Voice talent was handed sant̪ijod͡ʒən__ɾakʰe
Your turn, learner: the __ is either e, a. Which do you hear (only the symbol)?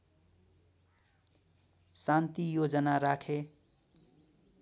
a